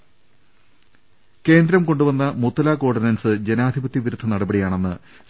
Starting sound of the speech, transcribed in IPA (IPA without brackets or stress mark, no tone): k